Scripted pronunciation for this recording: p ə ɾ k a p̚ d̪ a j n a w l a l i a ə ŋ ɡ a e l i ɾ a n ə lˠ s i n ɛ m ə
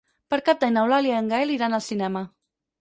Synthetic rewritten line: p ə ɾ k a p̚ d̪ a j n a w l a l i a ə ŋ ɡ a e l i ɾ a n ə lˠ s i n ɛ m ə